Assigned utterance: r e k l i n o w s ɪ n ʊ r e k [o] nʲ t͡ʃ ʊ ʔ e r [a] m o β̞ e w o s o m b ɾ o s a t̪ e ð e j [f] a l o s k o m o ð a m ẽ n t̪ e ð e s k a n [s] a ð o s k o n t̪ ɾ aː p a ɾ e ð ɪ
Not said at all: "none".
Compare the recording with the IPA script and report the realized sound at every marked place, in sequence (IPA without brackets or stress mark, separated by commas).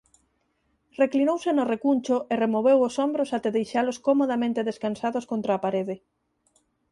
u, e, ʃ, s